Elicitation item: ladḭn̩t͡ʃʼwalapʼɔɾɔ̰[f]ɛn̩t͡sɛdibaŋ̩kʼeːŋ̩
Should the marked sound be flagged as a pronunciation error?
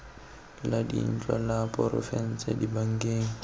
no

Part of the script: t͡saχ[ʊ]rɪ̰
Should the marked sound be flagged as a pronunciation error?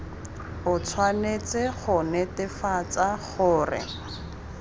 yes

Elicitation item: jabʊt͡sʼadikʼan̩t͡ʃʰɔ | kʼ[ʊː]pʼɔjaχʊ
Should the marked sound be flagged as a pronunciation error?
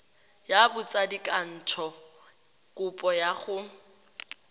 yes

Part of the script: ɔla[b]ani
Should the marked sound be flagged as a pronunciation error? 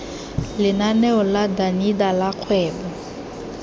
yes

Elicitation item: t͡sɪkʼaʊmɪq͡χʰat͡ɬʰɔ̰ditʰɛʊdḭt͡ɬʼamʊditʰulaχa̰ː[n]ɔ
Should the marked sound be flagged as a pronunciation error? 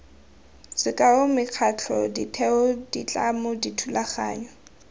yes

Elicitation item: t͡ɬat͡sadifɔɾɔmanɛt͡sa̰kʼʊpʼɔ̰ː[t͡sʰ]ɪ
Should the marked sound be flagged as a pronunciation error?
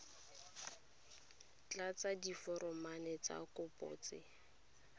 yes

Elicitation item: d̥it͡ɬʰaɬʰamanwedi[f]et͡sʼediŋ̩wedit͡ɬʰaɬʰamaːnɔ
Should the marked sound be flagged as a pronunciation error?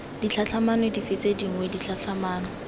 no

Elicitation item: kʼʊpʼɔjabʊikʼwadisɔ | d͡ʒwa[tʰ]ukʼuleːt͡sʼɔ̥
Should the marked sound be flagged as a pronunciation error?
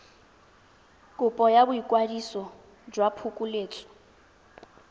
yes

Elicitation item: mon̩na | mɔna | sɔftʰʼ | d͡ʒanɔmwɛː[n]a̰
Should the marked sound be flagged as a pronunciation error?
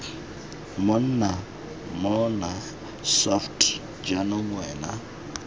no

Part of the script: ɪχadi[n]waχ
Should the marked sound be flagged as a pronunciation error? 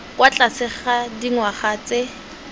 yes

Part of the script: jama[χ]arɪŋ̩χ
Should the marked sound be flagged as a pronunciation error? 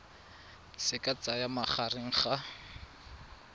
no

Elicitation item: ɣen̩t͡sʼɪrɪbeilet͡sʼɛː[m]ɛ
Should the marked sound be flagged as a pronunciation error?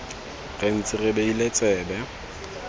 yes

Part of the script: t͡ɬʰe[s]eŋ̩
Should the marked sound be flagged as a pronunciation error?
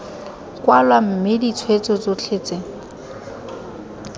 yes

